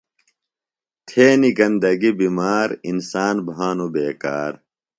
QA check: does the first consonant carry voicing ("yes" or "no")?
no